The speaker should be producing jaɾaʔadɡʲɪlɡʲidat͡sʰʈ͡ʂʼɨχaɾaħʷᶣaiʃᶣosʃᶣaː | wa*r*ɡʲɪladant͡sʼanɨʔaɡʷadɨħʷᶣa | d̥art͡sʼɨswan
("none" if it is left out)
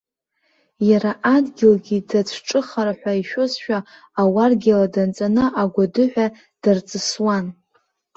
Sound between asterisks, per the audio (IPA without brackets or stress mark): r